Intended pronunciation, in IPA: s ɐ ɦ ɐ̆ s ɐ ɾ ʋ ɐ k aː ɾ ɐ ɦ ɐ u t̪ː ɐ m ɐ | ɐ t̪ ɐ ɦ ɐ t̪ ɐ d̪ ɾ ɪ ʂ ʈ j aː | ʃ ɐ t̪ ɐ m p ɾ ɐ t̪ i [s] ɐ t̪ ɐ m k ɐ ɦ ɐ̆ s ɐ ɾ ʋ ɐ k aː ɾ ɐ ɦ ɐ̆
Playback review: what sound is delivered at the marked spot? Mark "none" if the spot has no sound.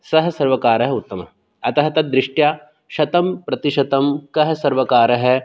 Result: ʃ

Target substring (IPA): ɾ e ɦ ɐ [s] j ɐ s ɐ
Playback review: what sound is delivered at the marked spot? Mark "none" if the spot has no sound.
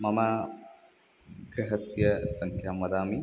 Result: s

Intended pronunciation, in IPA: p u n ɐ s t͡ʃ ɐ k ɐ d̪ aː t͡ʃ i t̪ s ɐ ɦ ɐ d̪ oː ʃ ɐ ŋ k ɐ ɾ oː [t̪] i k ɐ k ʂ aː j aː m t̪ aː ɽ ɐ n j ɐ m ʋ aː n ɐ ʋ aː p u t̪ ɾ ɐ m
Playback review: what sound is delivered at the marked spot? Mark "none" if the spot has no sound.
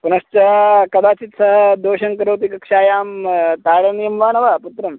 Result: t̪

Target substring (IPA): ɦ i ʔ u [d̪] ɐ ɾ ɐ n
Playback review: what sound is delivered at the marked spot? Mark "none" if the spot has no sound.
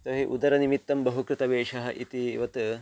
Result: d̪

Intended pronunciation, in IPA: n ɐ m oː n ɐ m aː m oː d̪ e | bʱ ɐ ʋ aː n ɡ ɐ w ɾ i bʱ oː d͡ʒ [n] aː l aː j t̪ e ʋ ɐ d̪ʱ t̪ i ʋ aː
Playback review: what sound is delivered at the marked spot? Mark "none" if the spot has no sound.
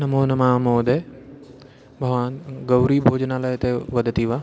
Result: n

